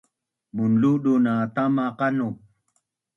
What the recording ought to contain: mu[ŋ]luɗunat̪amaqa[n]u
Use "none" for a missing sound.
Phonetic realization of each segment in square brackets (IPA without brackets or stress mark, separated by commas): n, n